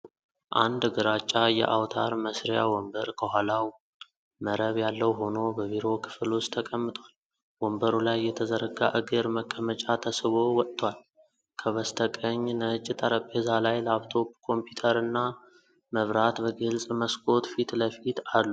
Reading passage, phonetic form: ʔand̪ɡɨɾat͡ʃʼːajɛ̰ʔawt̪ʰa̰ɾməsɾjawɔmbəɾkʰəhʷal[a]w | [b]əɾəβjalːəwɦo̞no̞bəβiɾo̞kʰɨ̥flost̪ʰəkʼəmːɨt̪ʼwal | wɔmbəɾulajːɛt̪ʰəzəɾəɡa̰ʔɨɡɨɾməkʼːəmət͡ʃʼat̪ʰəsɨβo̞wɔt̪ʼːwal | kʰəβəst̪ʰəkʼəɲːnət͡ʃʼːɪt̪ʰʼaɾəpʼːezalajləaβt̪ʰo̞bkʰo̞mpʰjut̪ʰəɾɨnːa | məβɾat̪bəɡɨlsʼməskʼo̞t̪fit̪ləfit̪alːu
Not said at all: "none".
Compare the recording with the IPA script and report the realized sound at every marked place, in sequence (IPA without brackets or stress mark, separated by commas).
a, m